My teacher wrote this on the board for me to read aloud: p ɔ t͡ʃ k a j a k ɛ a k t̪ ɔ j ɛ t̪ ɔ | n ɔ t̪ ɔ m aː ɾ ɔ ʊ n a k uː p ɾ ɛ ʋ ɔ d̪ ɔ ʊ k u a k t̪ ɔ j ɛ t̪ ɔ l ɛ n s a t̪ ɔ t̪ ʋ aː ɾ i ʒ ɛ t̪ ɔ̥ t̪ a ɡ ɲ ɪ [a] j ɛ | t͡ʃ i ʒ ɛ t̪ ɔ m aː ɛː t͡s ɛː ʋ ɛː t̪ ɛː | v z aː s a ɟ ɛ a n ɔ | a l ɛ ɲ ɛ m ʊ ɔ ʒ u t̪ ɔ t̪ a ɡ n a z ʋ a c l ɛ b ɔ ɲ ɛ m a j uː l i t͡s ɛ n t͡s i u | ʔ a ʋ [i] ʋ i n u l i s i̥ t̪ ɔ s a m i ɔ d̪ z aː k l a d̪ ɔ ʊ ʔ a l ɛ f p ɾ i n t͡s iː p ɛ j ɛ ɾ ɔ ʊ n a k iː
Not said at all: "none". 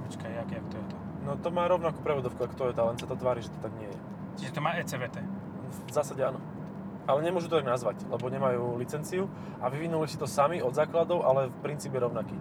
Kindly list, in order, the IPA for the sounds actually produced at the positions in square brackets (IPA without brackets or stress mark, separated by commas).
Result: ɛ, i